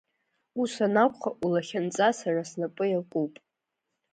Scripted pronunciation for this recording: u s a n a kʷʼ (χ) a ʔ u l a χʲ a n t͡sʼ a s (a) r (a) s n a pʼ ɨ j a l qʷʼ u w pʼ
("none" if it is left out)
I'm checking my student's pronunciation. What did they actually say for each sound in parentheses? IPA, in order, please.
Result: χ, a, a

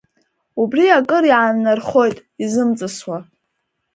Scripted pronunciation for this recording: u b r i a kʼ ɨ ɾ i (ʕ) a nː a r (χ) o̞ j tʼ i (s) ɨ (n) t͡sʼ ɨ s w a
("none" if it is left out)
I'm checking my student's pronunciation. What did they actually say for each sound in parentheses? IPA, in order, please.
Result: ʕ, χ, z, m

